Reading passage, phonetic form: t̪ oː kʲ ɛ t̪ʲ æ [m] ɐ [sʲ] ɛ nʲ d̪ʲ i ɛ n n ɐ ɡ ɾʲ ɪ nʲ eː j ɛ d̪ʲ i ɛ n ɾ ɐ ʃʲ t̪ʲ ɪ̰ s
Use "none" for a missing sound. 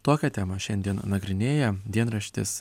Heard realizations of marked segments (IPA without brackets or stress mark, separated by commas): m, ʃʲ